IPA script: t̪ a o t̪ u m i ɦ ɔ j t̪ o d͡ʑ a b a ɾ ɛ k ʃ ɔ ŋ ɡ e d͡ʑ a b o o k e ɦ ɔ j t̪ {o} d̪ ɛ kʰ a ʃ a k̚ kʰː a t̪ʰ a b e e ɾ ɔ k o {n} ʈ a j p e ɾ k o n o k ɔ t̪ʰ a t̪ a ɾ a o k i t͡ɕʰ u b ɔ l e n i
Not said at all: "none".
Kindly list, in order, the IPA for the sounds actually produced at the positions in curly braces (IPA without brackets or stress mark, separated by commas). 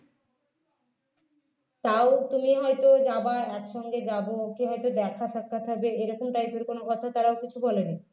o, m